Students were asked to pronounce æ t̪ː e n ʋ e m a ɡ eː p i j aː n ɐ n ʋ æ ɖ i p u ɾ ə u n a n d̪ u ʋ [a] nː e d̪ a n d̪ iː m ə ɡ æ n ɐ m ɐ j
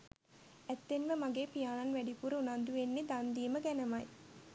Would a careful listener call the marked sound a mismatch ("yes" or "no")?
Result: yes